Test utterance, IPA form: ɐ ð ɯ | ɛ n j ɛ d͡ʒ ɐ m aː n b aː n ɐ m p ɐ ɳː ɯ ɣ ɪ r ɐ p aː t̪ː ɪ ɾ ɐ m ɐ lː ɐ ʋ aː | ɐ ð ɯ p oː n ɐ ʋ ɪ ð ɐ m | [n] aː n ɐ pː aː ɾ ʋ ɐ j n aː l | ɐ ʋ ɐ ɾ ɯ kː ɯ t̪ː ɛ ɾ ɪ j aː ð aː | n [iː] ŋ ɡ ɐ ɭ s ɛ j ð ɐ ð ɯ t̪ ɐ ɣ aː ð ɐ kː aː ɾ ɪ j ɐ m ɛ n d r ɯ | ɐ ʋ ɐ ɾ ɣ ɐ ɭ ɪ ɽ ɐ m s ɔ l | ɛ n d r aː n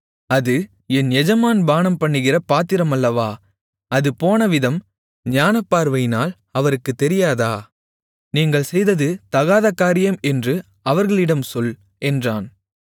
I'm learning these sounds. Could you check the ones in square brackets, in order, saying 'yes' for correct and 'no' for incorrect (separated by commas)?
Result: no, yes